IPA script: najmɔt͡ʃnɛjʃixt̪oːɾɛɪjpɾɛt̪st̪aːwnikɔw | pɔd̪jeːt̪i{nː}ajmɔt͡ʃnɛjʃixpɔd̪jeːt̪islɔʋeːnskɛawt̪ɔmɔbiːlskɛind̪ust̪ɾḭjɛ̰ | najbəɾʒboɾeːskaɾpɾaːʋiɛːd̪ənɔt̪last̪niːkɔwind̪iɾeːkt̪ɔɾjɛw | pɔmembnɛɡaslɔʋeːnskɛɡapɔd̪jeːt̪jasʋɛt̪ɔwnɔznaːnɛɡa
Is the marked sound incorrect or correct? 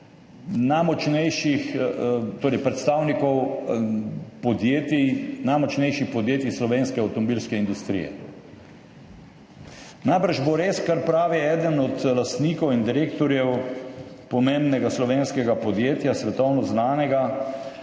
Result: incorrect